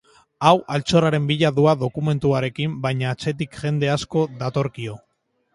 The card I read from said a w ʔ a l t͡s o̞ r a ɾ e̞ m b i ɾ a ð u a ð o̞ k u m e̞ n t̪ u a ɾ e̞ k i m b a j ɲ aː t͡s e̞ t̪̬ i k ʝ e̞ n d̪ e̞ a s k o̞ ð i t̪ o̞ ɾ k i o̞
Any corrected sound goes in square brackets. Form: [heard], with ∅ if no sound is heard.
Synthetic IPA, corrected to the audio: a w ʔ a l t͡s o̞ r a ɾ e̞ m b i [ʎ] a ð u a ð o̞ k u m e̞ n t̪ u a ɾ e̞ k i m b a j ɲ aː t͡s e̞ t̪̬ i k ʝ e̞ n d̪ e̞ a s k o̞ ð [a] t̪ o̞ ɾ k i o̞

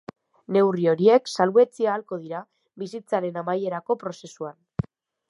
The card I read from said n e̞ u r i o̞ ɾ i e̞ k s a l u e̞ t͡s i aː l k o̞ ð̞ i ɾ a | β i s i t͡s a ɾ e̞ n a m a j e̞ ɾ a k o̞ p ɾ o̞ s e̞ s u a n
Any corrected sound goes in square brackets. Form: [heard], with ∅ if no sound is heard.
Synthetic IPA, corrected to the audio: n e̞ [w] r i o̞ ɾ i e̞ k s a l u e̞ t͡s i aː l k o̞ ð̞ i ɾ a | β i s i t͡s a ɾ e̞ n a m a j e̞ ɾ a k o̞ p ɾ o̞ s e̞ s u a n

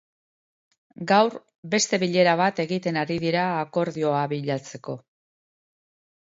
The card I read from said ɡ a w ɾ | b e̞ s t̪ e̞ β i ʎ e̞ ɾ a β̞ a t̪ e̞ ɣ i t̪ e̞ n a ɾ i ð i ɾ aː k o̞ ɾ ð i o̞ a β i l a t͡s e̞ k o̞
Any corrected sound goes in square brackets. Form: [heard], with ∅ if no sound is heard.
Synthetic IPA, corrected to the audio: ɡ a w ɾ | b e̞ s t̪ e̞ β i ʎ e̞ ɾ a β̞ a t̪ e̞ ɣ i t̪ e̞ n a ɾ i ð i ɾ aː k o̞ ɾ ð i o̞ a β i [ʎ] a t͡s e̞ k o̞

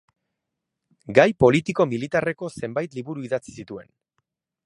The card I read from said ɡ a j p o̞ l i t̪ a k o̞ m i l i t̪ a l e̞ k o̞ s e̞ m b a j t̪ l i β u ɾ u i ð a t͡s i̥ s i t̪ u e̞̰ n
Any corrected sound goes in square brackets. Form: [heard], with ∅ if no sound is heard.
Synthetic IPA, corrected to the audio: ɡ a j p o̞ l i t̪ [i] k o̞ m i l i t̪ a [r] e̞ k o̞ s e̞ m b a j t̪ l i β u ɾ u i ð a t͡s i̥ s i t̪ u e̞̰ n

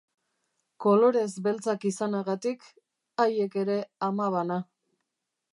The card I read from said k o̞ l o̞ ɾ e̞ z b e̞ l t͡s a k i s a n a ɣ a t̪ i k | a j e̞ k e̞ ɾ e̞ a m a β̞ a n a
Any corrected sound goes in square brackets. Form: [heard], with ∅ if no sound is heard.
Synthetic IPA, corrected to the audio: k o̞ l o̞ ɾ e̞ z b e̞ l t͡s a k i s a n a ɣ a t̪ i k | a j e̞ k e̞ ɾ e̞ a m a β̞ a n a

